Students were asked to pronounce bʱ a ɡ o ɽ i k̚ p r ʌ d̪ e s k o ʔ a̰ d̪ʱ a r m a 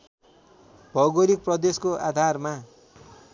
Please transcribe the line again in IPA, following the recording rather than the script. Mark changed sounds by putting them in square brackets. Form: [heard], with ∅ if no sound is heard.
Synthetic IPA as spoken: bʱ [ʌ] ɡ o [ɾ] i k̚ p r ʌ d̪ e s k o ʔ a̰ d̪ʱ a r m a